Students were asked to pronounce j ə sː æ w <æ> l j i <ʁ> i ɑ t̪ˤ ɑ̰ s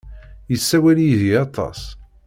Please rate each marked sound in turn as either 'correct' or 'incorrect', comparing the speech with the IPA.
correct, incorrect: ð

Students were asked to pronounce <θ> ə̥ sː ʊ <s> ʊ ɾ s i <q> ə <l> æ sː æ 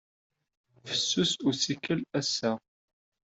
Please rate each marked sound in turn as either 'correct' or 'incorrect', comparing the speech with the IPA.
incorrect: f, correct, incorrect: k, correct

